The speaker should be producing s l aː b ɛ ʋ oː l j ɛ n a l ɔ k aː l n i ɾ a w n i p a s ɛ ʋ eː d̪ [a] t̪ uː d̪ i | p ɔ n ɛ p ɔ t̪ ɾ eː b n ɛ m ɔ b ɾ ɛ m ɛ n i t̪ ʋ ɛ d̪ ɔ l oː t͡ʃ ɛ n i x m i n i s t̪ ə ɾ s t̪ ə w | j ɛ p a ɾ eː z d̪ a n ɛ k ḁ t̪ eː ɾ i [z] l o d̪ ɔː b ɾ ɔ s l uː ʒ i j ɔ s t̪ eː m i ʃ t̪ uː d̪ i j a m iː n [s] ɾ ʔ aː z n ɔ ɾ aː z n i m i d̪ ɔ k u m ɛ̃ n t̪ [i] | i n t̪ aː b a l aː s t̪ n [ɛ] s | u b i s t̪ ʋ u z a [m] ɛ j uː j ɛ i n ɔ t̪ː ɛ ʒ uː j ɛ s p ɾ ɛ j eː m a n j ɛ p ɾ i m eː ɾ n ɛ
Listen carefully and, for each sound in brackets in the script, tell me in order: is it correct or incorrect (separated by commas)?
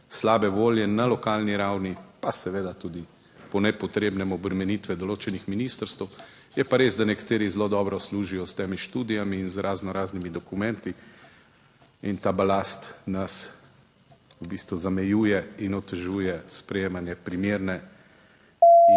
correct, correct, incorrect, correct, incorrect, correct